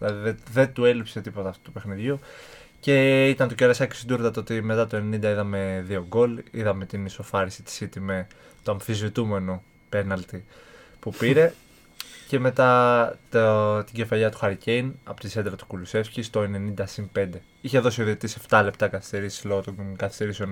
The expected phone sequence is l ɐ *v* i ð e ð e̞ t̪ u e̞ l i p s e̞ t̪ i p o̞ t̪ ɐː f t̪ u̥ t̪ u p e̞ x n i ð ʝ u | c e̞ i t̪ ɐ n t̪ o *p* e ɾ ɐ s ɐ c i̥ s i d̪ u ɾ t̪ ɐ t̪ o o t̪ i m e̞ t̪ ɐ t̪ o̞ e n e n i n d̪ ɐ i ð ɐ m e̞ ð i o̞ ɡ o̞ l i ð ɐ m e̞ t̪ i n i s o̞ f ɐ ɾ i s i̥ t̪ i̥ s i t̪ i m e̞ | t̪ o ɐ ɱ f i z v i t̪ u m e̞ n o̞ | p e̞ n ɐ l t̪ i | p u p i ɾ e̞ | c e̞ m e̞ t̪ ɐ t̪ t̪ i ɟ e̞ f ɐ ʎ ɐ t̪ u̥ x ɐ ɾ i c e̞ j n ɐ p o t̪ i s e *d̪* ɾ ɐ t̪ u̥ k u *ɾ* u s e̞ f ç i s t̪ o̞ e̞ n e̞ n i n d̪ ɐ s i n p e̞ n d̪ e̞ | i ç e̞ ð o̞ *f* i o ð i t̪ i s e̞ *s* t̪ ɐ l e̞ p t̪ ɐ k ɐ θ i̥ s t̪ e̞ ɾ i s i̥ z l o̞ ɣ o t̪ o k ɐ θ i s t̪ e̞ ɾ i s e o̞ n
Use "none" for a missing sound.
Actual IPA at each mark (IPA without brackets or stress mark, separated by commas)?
ð, c, d̪, l, s, f